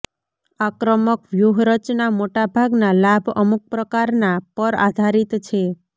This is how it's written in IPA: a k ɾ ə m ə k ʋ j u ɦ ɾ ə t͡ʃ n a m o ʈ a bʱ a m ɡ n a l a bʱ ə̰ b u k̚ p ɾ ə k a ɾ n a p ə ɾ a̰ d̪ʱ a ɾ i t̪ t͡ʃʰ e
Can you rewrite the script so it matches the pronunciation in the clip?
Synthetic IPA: a k ɾ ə m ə k ʋ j u ɦ ɾ ə t͡ʃ n a m o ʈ a bʱ a ɡ n a l a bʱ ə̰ m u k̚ p ɾ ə k a ɾ n a p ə ɾ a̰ d̪ʱ a ɾ i t̪ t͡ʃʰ e